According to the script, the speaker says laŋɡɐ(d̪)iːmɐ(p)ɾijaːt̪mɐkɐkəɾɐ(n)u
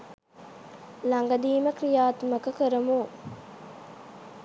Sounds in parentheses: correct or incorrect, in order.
correct, incorrect, incorrect

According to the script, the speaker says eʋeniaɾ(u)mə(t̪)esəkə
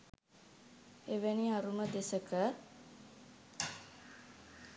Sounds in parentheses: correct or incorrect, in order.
correct, incorrect

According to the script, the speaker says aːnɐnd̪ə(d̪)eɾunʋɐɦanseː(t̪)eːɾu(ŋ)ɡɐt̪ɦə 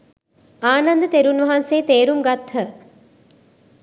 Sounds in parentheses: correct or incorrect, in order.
incorrect, correct, incorrect

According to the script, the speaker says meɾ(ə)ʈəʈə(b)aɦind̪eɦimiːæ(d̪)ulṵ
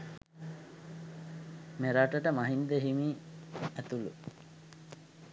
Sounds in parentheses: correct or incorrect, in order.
incorrect, incorrect, incorrect

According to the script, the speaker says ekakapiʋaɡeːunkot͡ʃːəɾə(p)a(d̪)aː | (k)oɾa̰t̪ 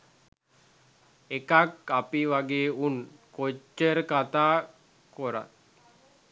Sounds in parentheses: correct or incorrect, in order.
incorrect, incorrect, correct

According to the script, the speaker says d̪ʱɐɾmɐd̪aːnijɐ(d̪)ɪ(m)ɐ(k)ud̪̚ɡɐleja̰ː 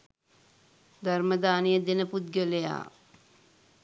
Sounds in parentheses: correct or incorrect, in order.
correct, incorrect, incorrect

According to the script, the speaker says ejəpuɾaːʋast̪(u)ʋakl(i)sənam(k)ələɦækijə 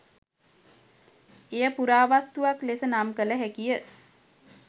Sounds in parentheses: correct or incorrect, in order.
correct, incorrect, correct

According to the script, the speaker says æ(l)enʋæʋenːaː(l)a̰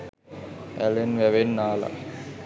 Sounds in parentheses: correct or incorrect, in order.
correct, correct

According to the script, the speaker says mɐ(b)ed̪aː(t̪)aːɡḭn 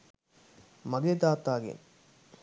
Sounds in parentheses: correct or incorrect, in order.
incorrect, correct

